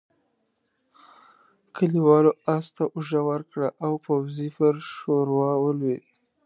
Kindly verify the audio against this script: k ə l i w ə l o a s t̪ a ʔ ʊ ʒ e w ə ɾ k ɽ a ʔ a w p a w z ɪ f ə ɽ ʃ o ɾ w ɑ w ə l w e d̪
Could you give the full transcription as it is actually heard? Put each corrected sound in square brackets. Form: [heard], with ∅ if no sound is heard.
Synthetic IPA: k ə l i w [ɑ] l o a s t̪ a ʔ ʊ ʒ [a] w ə ɾ k ɽ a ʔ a w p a w z [i] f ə [ɾ] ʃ o ɾ w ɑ w ə l w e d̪